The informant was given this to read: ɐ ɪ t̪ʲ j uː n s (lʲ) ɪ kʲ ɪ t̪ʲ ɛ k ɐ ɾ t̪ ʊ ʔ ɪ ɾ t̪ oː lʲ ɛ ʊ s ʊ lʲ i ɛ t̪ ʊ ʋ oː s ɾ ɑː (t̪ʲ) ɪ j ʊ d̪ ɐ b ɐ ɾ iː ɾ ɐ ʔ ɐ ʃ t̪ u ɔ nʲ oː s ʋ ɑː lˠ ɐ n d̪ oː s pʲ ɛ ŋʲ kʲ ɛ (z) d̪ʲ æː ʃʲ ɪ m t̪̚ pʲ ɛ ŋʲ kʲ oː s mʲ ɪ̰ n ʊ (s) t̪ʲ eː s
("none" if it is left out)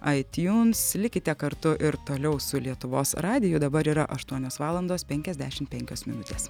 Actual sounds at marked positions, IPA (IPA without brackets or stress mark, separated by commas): lʲ, d̪ʲ, z, none